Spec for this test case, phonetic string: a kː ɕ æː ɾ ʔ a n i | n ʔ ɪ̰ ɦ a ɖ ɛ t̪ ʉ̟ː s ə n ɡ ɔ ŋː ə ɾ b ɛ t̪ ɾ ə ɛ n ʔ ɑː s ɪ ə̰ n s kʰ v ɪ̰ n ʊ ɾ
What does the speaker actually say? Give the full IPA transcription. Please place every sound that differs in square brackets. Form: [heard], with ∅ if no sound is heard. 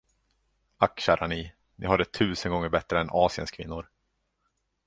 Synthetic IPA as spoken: a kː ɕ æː ɾ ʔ a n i | n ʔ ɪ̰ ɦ a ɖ ɛ [t̪ʰ] ʉ̟ː s ə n ɡ ɔ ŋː ə ɾ b ɛ t̪ ɾ ə ɛ n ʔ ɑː s ɪ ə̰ n s kʰ v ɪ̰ [nː] ʊ ɾ